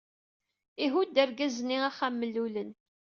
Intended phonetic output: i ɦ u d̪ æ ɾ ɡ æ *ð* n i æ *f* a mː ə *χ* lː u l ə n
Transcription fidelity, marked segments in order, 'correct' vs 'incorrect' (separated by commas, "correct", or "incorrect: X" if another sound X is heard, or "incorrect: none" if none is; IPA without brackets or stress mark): incorrect: z, incorrect: χ, incorrect: none